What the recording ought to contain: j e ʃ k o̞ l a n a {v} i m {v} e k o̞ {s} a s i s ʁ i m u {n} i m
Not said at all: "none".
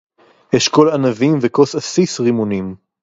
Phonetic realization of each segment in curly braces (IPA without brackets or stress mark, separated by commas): v, v, s, n